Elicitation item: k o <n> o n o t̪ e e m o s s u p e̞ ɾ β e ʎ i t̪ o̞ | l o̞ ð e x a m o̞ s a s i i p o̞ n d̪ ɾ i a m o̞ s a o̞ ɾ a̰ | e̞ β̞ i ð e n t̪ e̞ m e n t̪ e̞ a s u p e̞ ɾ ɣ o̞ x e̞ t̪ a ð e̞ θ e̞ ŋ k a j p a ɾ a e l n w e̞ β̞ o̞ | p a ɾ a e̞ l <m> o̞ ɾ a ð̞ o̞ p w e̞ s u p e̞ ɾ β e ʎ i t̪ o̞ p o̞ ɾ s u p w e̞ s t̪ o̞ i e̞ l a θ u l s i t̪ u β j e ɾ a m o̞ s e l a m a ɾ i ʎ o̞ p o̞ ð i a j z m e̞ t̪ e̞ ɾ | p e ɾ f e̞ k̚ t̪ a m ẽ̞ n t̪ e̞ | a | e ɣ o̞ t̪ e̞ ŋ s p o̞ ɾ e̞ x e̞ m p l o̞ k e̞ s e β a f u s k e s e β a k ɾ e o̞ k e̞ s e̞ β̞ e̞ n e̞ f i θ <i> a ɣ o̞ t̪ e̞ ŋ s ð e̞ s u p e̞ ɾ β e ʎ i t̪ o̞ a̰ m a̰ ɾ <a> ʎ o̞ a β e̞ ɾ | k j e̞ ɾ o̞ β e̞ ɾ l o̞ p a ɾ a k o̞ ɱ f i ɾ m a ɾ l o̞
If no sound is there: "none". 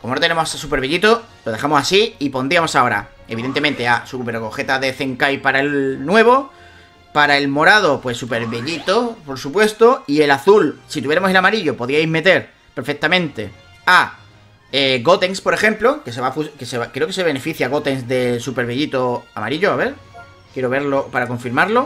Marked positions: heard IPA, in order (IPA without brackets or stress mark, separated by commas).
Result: m, m, j, i